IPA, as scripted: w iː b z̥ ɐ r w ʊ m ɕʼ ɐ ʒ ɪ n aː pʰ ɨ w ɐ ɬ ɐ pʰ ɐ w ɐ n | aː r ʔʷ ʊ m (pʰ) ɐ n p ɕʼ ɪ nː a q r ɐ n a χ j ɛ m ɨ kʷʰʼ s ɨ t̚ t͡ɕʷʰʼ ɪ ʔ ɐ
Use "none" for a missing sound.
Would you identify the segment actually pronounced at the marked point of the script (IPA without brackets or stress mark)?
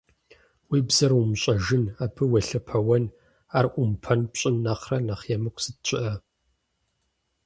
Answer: pʰ